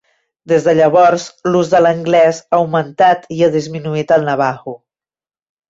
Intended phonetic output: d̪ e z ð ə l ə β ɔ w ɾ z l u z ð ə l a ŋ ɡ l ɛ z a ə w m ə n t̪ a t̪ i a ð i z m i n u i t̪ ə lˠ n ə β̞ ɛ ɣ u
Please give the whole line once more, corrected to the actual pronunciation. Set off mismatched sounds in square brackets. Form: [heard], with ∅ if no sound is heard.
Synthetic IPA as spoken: d̪ e z ð ə [ʎ] ə β ɔ [∅] ɾ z l u z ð ə l [ə] ŋ ɡ l ɛ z a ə w m ə n t̪ a t̪ i a ð i z m i n u i t̪ ə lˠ n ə β̞ [a] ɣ u